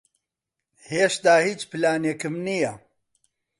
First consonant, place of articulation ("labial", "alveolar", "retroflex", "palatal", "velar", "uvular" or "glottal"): glottal